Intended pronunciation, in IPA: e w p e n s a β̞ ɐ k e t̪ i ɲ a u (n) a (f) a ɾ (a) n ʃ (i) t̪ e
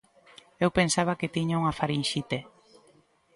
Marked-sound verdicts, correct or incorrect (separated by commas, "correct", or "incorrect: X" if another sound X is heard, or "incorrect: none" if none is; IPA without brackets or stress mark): incorrect: ŋ, correct, incorrect: i, correct